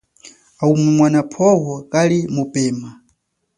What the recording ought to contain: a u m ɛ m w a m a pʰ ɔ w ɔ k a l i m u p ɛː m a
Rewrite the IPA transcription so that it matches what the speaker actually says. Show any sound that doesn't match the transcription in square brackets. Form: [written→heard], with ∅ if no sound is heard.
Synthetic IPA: a u m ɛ m w a [m→n] a pʰ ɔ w ɔ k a l i m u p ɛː m a